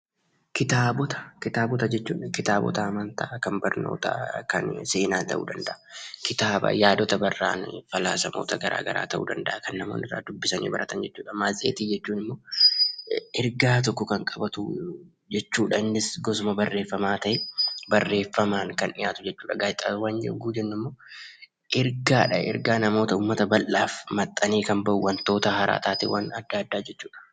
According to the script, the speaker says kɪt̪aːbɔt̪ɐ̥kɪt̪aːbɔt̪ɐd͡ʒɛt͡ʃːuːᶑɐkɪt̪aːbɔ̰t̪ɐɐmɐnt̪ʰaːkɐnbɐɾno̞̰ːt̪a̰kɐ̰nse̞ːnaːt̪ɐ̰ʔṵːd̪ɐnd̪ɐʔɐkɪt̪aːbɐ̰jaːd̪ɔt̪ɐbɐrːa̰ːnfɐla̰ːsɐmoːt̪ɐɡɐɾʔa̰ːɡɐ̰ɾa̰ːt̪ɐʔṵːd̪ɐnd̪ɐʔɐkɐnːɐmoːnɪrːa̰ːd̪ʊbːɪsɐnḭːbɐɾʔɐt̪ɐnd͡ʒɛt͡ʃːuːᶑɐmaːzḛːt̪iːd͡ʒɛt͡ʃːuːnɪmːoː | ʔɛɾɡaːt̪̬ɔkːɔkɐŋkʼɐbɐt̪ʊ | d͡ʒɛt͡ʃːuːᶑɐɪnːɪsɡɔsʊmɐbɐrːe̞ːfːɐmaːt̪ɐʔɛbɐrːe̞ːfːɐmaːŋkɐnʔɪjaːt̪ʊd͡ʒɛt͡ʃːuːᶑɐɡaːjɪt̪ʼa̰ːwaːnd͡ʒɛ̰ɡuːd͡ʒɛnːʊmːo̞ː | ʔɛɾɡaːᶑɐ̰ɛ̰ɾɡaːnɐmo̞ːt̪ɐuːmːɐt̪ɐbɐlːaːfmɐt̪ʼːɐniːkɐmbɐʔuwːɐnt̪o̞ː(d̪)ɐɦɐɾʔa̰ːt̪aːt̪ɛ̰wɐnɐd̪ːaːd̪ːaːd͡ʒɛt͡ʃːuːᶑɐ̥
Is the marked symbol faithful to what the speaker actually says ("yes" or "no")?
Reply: no